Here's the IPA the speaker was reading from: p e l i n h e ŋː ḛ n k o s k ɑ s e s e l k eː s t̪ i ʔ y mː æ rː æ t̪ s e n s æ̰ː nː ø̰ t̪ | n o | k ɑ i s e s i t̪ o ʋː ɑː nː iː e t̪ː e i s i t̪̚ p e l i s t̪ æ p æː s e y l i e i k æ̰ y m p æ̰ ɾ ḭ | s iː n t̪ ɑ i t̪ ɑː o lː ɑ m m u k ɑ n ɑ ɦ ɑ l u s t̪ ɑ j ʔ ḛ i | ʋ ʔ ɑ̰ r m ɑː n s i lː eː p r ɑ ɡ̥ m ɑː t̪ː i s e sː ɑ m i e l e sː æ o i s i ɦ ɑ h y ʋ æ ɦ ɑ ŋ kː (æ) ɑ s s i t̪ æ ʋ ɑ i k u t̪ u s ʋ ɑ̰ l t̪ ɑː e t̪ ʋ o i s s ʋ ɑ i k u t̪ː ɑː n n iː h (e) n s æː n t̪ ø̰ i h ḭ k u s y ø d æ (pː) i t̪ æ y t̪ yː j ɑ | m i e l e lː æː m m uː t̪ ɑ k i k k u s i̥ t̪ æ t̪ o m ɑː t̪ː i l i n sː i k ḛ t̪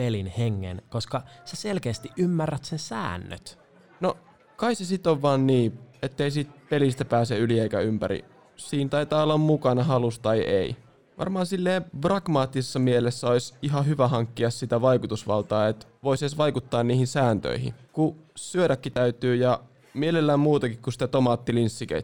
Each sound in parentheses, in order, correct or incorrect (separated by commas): incorrect, incorrect, incorrect